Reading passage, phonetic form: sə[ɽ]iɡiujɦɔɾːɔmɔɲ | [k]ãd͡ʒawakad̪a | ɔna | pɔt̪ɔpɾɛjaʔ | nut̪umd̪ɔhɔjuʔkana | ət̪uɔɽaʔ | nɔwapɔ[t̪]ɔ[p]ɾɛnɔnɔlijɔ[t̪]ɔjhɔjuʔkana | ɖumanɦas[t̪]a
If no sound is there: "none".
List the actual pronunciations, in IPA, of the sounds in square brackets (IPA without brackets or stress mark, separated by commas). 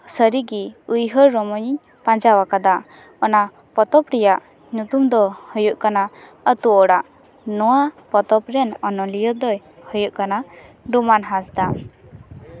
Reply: ɾ, p, t̪, p, d̪, d̪